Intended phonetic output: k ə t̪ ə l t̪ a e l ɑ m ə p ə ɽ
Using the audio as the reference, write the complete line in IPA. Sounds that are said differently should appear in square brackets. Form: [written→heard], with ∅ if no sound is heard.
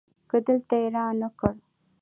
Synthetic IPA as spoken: k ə [t̪→d̪] ə l t̪ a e [l→ɾ] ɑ [m→n] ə [p→k] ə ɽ